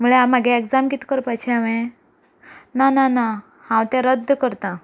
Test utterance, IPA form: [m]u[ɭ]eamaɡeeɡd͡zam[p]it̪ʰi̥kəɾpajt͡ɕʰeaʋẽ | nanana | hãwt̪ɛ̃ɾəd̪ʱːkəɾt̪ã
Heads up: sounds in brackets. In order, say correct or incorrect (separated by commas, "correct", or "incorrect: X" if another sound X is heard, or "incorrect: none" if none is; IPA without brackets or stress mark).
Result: correct, correct, incorrect: k